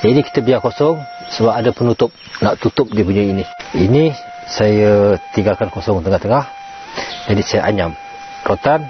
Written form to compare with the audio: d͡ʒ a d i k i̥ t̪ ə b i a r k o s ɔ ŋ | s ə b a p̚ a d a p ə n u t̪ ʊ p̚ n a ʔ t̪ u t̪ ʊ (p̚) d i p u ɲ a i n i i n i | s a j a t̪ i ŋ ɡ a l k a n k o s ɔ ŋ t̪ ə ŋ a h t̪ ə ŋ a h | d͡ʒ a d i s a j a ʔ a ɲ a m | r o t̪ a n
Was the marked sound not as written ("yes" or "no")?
no